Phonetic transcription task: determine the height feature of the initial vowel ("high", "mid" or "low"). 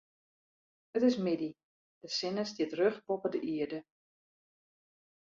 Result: mid